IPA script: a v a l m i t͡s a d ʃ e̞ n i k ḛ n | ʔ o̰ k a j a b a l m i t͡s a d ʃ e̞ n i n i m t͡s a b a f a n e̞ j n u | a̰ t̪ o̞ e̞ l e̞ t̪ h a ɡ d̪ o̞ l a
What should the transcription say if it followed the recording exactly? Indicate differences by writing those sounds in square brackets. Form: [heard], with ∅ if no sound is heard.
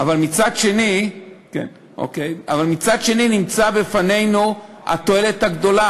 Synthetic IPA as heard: a v a l m i t͡s a d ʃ e̞ n i k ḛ n | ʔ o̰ k [e] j a [v] a l m i t͡s a d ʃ e̞ n i n i m t͡s a b [e] f a n e̞ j n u | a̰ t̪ o̞ e̞ l e̞ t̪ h a ɡ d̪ o̞ l a